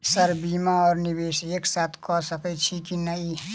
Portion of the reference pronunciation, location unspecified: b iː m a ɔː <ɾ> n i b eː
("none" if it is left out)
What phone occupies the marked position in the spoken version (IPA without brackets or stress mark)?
ɾ